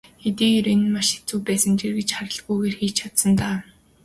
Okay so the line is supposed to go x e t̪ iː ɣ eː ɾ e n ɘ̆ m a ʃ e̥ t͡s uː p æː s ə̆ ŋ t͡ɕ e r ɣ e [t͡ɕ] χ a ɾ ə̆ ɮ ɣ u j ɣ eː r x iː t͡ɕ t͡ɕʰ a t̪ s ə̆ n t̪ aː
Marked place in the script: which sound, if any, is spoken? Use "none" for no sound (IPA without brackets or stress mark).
t͡ɕ